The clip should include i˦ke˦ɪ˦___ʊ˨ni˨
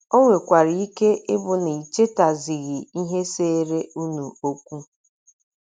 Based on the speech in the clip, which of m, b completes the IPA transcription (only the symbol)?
b